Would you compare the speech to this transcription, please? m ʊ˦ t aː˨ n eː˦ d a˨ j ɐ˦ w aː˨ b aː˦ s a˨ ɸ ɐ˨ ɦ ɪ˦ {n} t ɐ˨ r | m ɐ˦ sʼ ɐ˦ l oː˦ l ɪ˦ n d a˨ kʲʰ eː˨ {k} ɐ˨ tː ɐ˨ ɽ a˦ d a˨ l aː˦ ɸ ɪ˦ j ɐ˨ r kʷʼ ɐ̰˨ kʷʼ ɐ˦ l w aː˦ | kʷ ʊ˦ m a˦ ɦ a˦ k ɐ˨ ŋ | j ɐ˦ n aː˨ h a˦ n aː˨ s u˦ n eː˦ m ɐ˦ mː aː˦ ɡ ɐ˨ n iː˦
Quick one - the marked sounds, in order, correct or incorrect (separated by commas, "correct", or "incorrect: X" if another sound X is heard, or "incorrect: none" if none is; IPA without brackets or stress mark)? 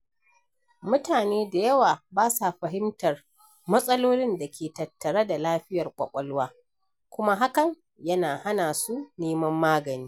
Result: incorrect: m, incorrect: t